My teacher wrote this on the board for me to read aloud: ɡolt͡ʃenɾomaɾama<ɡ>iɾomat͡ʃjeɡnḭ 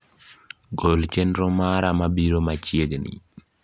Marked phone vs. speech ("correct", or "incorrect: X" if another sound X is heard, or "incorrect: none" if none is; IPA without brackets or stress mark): incorrect: b